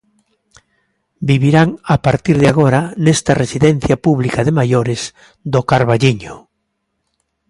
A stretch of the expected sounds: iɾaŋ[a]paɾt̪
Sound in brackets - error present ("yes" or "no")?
no